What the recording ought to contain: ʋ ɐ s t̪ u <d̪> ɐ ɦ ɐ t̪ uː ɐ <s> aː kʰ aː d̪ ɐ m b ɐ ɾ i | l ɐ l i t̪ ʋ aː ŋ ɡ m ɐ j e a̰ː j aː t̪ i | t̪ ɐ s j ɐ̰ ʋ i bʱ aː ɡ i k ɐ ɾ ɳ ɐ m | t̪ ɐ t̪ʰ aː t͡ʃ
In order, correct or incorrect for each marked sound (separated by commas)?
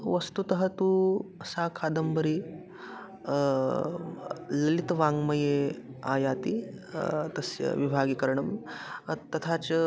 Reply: incorrect, correct